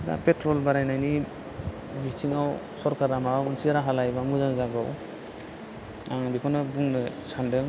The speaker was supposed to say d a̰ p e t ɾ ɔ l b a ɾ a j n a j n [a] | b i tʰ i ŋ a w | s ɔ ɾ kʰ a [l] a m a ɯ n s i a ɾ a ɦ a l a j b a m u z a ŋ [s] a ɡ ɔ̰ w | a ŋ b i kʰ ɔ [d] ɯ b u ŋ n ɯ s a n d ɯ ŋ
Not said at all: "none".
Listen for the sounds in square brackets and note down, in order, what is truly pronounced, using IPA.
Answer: i, ɾ, z, n

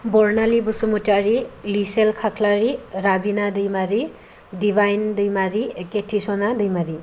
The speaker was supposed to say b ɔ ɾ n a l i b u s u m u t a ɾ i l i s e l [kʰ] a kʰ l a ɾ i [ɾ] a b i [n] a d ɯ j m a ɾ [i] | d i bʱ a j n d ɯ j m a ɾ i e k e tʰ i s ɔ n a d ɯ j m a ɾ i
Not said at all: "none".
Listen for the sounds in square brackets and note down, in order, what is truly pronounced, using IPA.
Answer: kʰ, ɾ, n, i

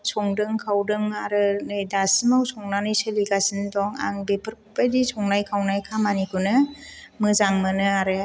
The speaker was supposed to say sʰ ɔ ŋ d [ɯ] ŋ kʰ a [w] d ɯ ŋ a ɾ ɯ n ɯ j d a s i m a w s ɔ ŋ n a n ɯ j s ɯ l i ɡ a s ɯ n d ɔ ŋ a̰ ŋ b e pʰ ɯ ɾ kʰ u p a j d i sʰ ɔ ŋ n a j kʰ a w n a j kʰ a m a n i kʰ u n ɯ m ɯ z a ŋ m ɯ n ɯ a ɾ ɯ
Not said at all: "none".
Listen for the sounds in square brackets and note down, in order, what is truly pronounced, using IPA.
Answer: ɯ, w

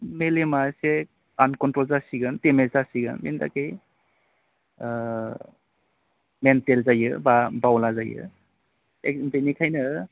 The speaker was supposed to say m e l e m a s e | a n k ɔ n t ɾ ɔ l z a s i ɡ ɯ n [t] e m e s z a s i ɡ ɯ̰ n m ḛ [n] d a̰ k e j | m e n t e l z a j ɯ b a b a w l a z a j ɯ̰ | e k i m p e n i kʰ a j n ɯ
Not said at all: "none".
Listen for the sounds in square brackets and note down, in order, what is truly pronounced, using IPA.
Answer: t, n

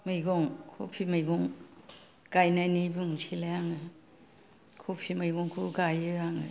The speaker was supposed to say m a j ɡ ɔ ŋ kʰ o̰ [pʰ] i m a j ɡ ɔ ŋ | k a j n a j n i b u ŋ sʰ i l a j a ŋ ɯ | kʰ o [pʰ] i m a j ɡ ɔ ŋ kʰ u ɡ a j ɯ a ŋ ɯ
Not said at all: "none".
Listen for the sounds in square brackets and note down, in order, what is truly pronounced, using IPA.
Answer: pʰ, pʰ

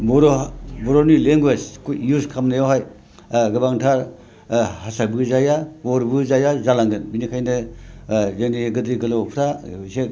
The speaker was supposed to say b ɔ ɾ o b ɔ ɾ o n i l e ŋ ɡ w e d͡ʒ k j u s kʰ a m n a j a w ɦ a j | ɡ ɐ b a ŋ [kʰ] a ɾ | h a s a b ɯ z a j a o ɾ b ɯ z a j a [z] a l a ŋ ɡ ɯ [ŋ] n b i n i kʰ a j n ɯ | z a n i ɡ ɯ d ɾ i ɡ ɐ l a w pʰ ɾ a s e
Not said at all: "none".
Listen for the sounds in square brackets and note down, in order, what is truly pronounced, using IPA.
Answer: tʰ, z, none

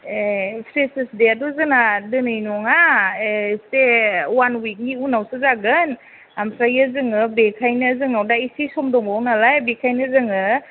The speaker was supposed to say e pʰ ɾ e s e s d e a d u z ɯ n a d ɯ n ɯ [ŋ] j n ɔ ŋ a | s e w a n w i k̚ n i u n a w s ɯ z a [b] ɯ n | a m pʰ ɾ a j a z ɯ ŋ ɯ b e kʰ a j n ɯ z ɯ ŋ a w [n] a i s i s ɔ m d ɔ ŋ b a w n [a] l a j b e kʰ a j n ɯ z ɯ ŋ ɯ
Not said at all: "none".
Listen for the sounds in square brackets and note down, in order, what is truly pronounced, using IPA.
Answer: none, ɡ, d, a

